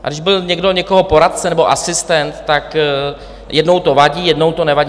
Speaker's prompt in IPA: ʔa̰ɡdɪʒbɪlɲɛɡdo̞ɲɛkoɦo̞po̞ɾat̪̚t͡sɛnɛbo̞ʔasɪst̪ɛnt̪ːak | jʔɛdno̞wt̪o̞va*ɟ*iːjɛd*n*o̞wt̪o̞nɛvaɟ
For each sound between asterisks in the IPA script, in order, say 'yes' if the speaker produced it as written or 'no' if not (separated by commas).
yes, yes